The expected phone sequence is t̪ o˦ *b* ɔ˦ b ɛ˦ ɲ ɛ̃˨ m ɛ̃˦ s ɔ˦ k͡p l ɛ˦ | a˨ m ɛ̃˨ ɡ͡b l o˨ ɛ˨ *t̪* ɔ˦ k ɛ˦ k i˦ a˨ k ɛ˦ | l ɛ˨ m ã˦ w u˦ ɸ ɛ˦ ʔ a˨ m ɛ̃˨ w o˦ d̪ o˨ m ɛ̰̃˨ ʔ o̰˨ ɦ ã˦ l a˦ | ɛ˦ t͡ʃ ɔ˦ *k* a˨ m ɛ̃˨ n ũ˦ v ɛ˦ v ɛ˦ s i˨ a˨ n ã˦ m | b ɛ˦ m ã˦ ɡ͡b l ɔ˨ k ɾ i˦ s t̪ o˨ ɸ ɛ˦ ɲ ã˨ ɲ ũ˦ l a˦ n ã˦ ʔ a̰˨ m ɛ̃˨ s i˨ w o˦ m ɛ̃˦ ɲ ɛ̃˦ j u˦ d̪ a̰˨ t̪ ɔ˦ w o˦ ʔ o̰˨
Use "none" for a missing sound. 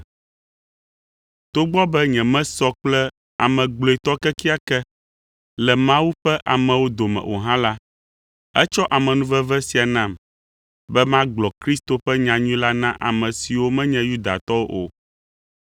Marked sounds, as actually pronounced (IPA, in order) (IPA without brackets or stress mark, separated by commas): ɡ͡b, t̪, ʔ